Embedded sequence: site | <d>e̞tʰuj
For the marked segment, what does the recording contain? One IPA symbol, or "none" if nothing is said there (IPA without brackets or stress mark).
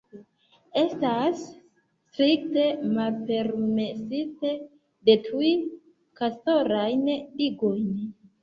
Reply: d